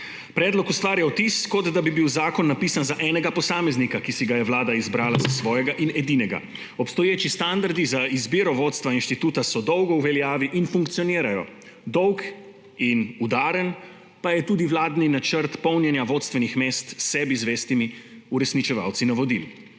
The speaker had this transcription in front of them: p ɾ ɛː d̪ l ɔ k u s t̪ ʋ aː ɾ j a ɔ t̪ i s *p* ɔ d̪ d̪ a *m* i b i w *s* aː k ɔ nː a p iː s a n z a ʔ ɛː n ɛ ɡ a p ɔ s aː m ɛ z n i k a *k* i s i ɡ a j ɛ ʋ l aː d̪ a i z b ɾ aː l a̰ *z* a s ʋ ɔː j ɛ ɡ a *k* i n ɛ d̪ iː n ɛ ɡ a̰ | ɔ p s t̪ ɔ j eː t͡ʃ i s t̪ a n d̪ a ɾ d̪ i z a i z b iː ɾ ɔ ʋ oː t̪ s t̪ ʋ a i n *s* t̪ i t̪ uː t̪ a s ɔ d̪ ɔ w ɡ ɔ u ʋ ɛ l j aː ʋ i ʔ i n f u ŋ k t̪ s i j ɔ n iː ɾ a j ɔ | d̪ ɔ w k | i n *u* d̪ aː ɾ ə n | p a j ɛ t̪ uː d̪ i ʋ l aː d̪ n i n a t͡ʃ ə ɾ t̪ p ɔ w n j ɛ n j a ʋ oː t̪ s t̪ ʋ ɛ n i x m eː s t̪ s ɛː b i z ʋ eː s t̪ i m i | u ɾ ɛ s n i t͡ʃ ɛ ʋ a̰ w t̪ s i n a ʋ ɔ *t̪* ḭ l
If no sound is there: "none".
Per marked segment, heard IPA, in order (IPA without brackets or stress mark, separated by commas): k, b, z, k, z, ʔ, ʃ, u, d̪